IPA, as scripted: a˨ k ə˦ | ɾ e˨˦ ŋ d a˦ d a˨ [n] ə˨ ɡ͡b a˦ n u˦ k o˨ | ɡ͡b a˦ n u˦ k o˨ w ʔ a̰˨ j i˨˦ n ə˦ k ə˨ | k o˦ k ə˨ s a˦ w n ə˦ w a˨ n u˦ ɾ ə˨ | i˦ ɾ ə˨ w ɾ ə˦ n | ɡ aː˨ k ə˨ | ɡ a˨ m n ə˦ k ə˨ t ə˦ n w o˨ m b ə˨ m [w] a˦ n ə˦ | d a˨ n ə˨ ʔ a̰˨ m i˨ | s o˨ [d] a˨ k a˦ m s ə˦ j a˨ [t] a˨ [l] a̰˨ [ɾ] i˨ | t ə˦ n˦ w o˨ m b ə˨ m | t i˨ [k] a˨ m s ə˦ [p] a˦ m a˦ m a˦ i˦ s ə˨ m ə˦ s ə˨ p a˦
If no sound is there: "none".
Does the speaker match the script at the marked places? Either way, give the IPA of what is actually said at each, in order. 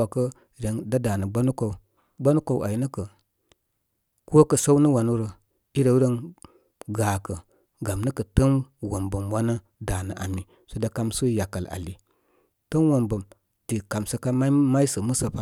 n, w, d, k, l, l, k, k

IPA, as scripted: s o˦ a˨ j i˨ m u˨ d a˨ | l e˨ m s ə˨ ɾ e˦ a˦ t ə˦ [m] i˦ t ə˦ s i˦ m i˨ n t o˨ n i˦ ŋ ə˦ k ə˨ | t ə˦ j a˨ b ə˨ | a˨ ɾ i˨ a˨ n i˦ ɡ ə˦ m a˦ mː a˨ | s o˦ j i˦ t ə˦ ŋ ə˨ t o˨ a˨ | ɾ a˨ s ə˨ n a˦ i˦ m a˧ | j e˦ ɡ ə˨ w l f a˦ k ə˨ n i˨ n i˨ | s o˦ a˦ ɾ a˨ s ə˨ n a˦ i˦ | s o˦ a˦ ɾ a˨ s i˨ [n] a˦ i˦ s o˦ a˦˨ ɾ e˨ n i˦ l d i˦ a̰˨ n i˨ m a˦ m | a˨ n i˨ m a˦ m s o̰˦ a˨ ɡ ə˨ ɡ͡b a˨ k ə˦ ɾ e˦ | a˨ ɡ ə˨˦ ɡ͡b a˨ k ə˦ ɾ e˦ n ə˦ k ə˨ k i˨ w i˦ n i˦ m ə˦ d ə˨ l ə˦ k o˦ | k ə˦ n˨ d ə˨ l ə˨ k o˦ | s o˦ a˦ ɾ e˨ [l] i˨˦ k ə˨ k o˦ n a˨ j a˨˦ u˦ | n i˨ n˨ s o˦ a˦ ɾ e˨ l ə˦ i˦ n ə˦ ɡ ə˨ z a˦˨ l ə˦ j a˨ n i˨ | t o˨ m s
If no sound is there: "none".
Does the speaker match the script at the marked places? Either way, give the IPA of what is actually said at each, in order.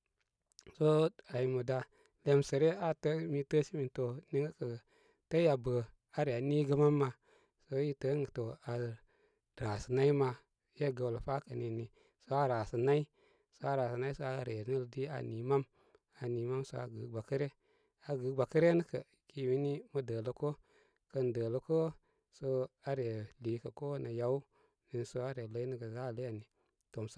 m, n, l

